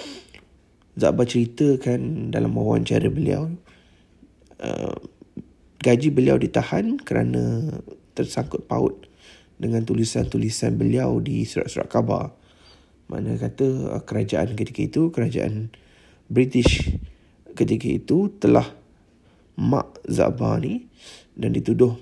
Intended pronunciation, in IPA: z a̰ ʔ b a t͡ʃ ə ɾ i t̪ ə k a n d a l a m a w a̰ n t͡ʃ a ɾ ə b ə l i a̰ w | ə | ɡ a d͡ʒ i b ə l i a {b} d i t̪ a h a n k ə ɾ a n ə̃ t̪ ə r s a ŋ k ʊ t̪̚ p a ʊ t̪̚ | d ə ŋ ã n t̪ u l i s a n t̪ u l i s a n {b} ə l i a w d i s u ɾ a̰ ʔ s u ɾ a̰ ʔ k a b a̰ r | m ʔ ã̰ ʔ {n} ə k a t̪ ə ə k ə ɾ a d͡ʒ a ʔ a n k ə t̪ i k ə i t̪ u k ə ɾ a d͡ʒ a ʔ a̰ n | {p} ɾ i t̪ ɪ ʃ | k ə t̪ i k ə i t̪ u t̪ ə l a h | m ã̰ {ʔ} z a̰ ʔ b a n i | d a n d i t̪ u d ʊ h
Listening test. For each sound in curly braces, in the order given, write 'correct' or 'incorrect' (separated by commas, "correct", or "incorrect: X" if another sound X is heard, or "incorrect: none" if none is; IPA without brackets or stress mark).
incorrect: w, correct, correct, incorrect: b, correct